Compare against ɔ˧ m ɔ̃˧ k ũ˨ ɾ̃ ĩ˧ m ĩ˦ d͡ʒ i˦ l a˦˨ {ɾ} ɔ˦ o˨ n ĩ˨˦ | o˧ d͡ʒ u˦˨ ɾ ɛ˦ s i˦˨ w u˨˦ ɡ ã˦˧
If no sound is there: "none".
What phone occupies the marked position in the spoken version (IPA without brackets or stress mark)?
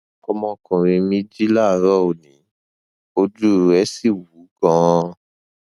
ɾ